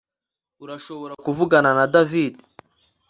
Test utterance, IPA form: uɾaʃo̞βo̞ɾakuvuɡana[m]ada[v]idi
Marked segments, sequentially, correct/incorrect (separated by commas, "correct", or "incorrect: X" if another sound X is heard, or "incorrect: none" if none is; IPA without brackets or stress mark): incorrect: n, correct